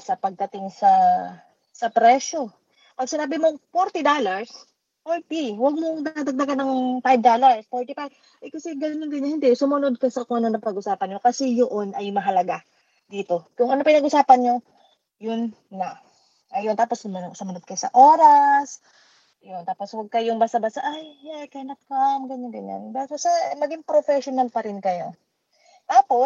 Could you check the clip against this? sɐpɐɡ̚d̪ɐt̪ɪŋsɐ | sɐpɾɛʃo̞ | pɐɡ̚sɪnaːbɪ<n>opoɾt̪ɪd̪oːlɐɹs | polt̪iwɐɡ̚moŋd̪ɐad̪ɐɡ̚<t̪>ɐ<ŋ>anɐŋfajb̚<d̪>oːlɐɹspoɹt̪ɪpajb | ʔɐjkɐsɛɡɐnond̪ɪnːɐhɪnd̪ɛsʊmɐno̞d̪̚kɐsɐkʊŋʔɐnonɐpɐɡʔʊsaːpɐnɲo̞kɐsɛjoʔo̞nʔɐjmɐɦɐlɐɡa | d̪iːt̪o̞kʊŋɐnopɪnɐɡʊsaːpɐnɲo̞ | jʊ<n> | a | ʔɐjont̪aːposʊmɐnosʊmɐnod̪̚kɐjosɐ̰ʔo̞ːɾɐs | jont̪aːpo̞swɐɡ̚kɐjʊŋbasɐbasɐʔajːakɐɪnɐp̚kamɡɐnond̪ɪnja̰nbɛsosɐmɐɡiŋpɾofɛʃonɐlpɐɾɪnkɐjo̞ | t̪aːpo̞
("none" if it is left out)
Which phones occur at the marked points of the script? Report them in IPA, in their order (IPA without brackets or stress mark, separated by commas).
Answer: m, d̪, ɡ, d̪, nː